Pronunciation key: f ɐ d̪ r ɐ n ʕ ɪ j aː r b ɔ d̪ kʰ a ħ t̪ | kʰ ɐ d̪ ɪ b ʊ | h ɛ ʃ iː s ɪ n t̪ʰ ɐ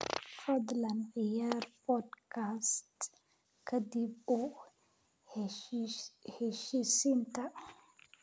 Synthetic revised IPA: f ɐ d̪ l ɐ n ʕ ɪ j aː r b ɔ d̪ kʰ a s t̪ | kʰ ɐ d̪ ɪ b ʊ | h ɛ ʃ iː s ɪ n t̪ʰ ɐ